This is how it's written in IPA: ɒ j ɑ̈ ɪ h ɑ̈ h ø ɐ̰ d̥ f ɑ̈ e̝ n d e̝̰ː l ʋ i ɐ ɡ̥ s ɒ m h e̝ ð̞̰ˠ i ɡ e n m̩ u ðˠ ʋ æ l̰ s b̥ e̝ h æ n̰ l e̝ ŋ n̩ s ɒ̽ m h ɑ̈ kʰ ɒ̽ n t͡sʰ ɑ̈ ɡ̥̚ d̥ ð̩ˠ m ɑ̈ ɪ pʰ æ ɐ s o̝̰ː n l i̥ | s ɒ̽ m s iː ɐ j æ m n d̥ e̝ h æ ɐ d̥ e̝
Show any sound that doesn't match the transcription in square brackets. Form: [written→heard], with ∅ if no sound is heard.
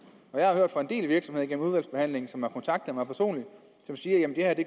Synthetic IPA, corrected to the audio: ɒ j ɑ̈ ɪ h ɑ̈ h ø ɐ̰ d̥ f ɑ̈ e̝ n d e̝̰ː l ʋ i ɐ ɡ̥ s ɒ m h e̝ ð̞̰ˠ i ɡ e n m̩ u ðˠ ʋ æ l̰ s b̥ e̝ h æ n̰ l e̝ ŋ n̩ s ɒ̽ m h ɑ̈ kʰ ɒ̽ n t͡sʰ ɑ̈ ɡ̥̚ d̥ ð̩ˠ m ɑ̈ ɪ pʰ æ ɐ s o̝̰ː n l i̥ | s ɒ̽ m s iː ɐ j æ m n d̥ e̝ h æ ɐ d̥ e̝

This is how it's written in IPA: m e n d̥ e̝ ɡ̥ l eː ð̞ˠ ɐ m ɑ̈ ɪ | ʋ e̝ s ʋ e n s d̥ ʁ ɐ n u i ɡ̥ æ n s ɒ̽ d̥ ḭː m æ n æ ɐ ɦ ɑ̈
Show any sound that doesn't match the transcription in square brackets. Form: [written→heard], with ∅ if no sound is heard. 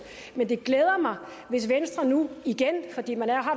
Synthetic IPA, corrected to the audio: m e n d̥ e̝ ɡ̥ l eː ð̞ˠ ɐ m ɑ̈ ɪ | ʋ e̝ s ʋ e n s d̥ ʁ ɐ n u i ɡ̥ [æ→e] n [s→f] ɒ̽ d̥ ḭː m æ n æ ɐ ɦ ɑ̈

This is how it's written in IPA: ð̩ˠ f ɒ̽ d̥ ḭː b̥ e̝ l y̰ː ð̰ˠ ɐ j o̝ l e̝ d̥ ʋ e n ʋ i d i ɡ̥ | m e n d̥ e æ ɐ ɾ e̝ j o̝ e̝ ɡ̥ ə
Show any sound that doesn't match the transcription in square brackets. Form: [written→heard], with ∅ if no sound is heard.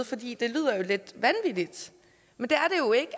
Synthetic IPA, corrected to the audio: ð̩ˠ f ɒ̽ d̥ ḭː [b̥→d̥] e̝ l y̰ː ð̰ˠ ɐ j o̝ l e̝ d̥ ʋ [e→æ] n ʋ i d i [ɡ̥→d̥] | m e n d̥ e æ ɐ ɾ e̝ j o̝ e̝ ɡ̥ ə

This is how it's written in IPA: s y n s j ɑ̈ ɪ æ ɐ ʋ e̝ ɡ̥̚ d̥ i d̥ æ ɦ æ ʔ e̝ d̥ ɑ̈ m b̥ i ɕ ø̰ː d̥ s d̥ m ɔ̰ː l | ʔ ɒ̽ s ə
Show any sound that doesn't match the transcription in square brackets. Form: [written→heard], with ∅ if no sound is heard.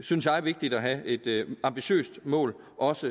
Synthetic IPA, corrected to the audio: s y n s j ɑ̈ ɪ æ ɐ ʋ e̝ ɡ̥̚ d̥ i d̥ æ ɦ æ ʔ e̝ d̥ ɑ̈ m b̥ i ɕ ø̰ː [d̥→∅] s d̥ m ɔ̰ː l | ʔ ɒ̽ s ə

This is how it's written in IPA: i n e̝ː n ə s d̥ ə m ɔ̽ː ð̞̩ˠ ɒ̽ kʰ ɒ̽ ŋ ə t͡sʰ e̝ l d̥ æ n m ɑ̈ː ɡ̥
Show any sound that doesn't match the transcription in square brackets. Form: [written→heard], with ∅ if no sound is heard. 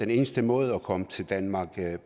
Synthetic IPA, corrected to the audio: [i→e] n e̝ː n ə s d̥ ə m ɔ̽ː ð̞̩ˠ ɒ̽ kʰ ɒ̽ [ŋ→m] ə t͡sʰ e̝ l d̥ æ n m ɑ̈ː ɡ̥

